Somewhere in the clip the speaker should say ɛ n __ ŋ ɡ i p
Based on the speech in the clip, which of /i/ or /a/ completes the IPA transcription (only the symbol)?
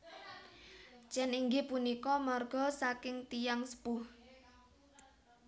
i